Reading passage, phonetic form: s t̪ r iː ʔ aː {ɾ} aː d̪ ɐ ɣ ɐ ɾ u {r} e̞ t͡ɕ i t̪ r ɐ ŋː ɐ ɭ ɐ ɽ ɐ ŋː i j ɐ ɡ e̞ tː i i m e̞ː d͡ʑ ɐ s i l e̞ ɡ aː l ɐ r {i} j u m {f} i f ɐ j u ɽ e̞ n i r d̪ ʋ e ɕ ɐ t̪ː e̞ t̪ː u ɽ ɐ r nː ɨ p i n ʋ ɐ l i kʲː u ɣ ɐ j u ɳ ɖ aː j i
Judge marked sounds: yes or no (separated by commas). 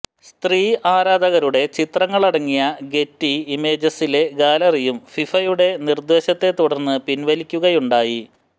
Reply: yes, no, yes, yes